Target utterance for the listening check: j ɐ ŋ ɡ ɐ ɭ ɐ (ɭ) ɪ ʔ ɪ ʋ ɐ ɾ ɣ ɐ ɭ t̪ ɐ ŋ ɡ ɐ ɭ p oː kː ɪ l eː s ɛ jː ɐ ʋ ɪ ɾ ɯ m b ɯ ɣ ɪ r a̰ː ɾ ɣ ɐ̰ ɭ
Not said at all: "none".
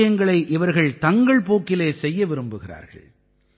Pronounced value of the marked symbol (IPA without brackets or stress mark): none